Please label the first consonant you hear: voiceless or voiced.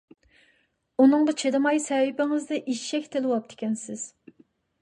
voiced